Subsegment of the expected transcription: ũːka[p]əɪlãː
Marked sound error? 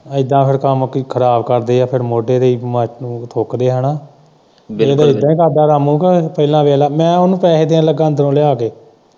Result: no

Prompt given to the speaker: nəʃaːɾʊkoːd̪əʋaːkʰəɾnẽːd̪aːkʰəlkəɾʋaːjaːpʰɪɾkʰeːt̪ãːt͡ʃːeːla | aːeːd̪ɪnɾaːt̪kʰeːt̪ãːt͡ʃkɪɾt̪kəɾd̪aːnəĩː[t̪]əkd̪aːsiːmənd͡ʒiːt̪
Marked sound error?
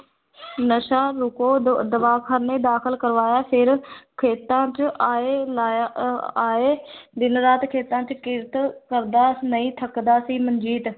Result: yes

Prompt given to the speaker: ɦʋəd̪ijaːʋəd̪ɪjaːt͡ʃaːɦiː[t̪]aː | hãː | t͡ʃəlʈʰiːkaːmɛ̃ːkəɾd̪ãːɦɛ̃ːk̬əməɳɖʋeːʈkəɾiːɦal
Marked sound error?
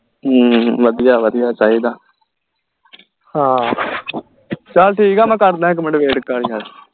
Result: yes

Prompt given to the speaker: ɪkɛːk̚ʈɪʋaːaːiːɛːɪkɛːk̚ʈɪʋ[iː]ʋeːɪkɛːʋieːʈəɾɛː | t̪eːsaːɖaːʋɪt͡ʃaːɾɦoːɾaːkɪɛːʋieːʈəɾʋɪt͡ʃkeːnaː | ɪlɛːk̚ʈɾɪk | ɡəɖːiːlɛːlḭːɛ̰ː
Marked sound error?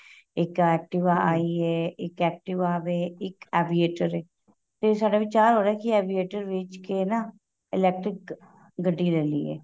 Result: yes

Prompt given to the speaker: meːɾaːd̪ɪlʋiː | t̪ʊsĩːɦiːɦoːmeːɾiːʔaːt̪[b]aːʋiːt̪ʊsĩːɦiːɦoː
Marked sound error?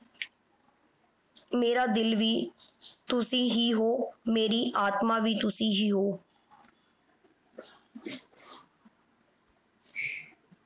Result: yes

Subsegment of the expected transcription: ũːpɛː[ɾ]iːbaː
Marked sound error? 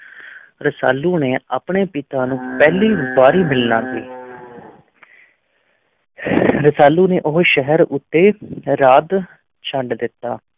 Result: yes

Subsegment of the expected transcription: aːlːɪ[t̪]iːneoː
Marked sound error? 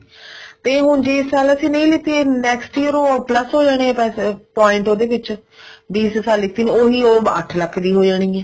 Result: no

